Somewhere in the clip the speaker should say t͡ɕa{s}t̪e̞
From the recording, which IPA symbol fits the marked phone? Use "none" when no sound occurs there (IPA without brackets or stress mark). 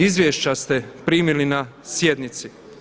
s